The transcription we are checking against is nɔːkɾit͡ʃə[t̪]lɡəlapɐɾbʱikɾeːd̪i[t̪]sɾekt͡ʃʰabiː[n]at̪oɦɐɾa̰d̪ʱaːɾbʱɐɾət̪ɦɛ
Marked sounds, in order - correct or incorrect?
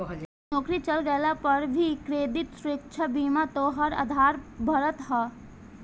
incorrect: none, correct, incorrect: m

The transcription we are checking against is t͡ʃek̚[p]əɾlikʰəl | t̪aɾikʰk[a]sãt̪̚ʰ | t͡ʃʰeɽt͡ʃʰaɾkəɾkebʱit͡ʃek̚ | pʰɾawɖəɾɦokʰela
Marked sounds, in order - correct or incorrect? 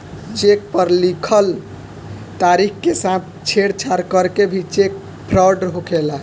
correct, incorrect: e

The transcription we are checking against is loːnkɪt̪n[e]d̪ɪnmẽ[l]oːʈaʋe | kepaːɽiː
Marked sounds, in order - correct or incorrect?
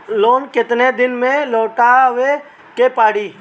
correct, correct

